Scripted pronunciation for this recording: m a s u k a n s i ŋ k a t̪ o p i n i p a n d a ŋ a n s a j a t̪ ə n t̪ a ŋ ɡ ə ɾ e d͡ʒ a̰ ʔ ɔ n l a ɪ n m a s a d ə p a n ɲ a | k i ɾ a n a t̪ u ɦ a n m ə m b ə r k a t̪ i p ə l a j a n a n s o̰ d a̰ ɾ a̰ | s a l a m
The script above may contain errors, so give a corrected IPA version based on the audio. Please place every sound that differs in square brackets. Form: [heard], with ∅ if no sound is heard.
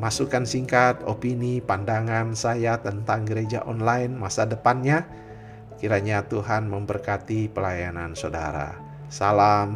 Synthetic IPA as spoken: m a s u k a n s i ŋ k a t̪ o p i n i p a n d a ŋ a n s a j a t̪ ə n t̪ a ŋ ɡ ə ɾ e d͡ʒ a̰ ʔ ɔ n l a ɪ n m a s a d ə p a n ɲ a | k i ɾ a [ɲ] a t̪ u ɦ a n m ə m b ə r k a t̪ i p ə l a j a n a n s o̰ d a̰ ɾ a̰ | s a l a m